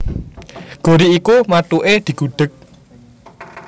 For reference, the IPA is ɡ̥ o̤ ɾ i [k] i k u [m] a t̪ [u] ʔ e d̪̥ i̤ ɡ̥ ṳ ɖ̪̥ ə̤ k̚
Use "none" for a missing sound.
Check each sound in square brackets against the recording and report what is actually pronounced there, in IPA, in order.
none, m, u

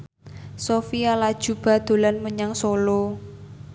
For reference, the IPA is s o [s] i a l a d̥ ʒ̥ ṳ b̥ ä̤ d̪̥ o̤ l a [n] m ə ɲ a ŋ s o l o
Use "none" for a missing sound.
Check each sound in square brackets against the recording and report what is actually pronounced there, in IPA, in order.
f, n

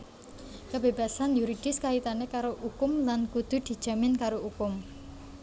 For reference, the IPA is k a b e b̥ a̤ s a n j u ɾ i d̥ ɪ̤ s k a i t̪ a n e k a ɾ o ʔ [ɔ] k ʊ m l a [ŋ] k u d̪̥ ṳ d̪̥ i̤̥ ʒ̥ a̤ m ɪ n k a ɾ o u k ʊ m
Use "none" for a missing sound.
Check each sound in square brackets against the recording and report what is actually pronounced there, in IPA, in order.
u, n

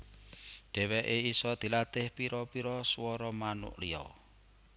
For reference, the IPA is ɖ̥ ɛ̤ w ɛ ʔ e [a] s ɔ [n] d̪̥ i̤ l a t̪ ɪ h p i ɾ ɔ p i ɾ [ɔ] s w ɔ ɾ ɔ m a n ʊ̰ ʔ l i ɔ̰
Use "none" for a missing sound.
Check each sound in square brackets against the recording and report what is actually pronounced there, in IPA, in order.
i, none, ɔ

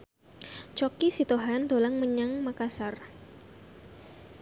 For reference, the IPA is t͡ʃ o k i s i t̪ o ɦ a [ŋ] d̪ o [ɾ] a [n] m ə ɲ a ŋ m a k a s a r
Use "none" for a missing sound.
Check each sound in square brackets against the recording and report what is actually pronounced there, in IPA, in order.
n, l, ŋ

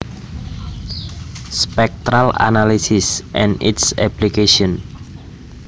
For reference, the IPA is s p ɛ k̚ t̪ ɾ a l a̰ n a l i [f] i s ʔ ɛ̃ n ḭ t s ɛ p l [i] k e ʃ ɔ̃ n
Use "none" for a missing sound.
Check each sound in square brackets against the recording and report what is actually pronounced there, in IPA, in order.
s, i

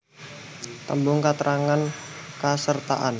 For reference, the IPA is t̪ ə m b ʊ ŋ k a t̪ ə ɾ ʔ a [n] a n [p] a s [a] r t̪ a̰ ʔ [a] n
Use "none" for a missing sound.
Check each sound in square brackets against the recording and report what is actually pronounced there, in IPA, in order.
ŋ, k, ə, a

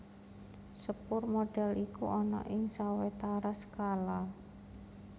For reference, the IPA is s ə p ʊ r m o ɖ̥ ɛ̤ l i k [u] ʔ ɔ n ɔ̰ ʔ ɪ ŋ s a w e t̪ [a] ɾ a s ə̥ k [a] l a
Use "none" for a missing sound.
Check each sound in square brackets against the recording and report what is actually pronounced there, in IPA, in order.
u, a, a

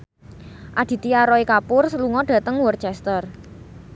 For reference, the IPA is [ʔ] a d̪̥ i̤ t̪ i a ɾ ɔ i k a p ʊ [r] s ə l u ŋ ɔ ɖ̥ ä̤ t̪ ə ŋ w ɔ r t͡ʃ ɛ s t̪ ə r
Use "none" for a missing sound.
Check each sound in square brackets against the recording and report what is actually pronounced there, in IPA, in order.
ʔ, r

